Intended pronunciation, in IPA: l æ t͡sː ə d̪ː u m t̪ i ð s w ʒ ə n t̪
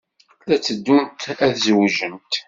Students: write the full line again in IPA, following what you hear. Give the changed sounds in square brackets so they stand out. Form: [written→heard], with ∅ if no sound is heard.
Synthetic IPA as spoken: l æ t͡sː ə d̪ː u [m→n] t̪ [i→æ] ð [s→z] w ʒ ə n t̪